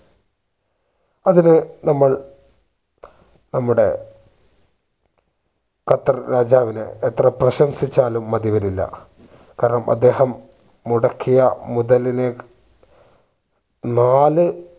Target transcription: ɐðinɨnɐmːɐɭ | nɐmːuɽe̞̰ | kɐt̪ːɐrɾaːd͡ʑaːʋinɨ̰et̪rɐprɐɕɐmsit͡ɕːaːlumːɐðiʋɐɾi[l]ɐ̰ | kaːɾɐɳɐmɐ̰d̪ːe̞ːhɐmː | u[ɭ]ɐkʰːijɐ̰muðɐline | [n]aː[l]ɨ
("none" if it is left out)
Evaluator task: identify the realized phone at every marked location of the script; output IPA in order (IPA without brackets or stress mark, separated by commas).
lː, ɽ, n, l